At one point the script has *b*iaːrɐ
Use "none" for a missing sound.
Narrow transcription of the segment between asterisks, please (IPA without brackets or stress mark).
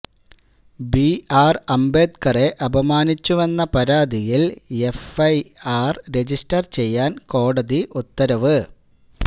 b